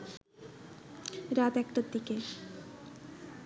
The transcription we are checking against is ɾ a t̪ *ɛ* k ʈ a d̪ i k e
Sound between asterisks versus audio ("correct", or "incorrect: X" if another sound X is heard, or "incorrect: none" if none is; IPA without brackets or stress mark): correct